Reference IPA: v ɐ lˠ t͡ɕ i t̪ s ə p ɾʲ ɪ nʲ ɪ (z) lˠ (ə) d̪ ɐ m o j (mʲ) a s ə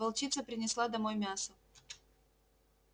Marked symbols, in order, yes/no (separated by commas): no, no, yes